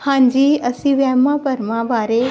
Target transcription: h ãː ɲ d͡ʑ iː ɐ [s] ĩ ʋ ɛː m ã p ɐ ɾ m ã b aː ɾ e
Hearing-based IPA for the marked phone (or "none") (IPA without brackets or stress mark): s